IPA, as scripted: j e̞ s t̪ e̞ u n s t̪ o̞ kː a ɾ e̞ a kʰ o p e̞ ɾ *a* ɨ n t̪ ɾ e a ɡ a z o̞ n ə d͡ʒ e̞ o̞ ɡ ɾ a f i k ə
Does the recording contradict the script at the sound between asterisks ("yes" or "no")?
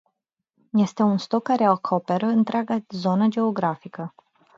yes